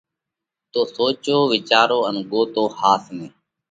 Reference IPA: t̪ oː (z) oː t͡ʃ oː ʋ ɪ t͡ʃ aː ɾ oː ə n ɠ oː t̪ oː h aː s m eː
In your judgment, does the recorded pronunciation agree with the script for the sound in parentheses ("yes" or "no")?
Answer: no